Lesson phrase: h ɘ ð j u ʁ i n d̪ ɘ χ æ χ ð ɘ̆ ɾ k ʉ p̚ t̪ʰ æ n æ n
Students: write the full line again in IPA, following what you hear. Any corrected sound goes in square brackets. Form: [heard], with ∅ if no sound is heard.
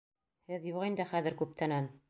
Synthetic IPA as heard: h ɘ ð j u ʁ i n d̪ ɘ χ æ [∅] ð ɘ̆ ɾ k ʉ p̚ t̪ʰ æ n æ n